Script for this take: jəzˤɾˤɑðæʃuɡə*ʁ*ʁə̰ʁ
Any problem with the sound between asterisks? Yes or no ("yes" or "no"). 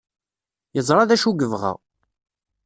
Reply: yes